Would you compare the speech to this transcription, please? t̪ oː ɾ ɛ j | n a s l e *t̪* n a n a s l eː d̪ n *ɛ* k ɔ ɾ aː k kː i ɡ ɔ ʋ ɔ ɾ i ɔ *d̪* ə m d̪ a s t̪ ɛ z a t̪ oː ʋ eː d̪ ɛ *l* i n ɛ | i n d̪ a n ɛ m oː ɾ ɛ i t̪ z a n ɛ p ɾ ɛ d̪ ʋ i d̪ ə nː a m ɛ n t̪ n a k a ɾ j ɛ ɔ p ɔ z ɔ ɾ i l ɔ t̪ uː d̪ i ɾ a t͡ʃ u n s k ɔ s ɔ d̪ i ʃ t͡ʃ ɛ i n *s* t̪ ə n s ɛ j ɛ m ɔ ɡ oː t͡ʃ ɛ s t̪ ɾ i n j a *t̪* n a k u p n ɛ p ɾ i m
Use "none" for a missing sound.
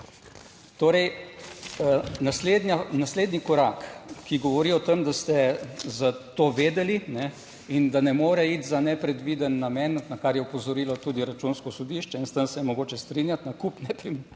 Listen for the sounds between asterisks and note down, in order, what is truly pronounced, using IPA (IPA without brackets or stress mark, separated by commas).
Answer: d̪, i, t̪, l, s, t̪